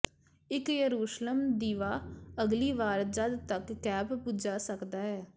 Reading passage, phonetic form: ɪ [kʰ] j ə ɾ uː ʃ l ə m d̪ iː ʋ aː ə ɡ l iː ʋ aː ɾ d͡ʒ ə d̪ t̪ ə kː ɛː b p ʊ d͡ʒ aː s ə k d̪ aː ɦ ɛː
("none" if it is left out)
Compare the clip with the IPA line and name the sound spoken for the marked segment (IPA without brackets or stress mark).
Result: k